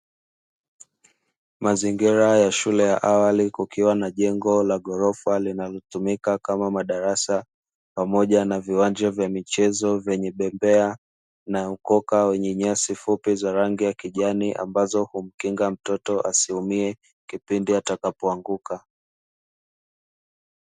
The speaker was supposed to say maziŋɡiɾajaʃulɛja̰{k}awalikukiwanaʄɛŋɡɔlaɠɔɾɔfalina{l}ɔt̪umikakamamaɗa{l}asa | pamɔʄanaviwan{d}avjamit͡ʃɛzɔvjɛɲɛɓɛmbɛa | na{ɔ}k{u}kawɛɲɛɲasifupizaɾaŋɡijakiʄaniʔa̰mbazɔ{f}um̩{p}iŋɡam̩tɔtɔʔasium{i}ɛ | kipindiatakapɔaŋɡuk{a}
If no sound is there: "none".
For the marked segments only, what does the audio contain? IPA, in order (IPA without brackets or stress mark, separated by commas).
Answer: ʔ, l, ɾ, d͡ʒ, u, ɔ, h, k, i, a